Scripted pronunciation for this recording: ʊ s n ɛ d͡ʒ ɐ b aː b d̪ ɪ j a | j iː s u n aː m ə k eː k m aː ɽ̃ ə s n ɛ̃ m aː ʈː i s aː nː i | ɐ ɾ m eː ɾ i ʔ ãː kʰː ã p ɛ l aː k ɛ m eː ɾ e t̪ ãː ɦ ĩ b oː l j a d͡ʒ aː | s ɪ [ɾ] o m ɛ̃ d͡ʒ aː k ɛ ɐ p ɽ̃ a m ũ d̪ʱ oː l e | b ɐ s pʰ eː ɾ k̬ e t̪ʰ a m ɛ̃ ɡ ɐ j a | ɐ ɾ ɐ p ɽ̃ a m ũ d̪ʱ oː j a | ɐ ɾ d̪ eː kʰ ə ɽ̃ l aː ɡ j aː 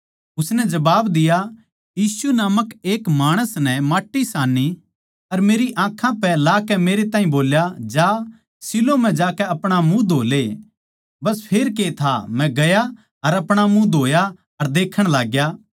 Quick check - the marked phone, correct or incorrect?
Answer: incorrect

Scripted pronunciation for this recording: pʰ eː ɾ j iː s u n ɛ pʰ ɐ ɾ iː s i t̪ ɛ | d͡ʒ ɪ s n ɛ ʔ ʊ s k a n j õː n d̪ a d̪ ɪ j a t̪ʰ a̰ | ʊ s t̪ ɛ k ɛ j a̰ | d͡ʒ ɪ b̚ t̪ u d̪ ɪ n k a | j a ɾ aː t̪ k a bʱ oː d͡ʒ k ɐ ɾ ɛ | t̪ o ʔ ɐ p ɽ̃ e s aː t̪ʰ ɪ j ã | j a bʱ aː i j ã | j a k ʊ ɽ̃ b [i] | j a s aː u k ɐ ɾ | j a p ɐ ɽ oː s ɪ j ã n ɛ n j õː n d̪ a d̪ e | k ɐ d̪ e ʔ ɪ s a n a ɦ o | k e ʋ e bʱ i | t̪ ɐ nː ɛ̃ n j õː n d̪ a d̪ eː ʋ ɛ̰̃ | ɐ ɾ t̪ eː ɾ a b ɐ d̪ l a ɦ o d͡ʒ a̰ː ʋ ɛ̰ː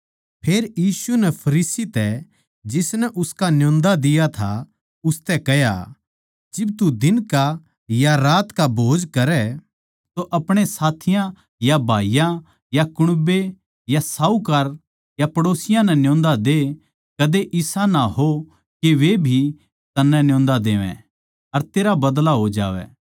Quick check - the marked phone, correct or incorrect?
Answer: incorrect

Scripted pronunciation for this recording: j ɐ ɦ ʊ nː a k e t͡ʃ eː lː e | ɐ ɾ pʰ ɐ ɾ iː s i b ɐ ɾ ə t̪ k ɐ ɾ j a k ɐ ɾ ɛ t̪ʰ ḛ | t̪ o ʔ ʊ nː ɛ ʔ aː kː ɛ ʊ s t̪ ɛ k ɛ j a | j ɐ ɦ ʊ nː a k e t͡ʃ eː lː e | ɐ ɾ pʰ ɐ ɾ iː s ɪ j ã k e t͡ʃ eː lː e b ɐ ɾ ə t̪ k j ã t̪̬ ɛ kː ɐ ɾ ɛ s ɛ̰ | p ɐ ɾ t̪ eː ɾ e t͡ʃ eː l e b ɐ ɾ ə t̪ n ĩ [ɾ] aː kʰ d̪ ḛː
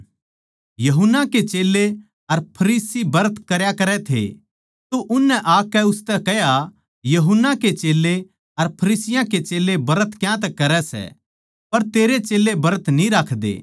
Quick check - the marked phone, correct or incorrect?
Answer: correct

